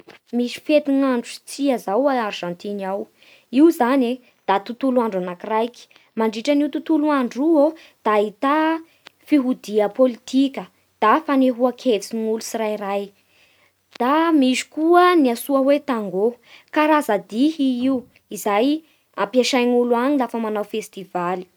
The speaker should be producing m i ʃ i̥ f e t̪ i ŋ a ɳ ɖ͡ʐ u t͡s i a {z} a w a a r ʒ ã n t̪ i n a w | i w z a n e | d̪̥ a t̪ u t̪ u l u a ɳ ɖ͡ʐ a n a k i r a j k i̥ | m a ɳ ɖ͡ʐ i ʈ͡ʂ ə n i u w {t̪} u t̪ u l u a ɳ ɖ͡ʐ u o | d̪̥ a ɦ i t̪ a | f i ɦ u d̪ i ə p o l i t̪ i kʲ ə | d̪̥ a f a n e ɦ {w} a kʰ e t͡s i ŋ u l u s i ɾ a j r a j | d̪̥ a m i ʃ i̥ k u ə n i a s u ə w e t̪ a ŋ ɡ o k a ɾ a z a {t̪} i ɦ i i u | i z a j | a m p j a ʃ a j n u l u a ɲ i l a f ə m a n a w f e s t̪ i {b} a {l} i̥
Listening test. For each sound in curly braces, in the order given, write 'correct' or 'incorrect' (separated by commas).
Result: correct, correct, incorrect, incorrect, incorrect, correct